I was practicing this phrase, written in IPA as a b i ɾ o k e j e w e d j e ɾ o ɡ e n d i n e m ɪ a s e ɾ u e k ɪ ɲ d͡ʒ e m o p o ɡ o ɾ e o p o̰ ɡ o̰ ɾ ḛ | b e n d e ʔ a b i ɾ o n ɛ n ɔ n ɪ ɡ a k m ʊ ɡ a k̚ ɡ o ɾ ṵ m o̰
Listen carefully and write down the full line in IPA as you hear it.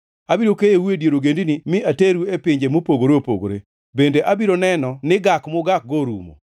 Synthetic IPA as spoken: a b i ɾ o k e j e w e d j e ɾ o ɡ e n d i n i m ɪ a t e ɾ u e p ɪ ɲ d͡ʒ e m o p o ɡ o ɾ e o p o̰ ɡ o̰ ɾ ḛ | b e n d e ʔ a b i ɾ o n ɛ n ɔ n ɪ ɡ a k m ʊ ɡ a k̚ ɡ o ɾ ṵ m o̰